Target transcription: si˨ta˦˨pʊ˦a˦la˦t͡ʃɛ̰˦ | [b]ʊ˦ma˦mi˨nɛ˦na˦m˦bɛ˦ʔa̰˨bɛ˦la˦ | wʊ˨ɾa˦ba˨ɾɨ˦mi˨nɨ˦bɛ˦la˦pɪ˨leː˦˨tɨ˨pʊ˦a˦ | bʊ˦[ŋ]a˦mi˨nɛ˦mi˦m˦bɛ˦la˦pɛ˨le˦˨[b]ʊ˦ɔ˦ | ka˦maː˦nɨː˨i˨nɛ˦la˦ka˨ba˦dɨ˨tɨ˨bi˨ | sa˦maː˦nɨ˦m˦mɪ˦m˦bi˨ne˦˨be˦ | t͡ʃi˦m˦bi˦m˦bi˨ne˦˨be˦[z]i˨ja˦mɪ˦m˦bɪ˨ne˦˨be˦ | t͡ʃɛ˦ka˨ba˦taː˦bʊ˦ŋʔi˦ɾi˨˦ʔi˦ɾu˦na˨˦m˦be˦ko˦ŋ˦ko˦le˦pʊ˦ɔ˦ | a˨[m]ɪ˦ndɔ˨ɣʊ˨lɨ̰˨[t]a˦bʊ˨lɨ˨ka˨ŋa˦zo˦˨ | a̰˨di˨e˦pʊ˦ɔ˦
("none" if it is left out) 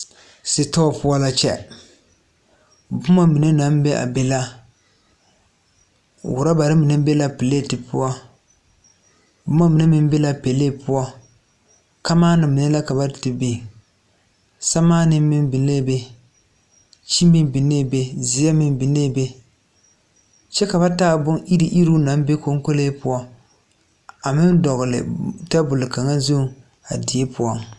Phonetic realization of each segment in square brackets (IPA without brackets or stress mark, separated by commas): b, m, p, z, m, t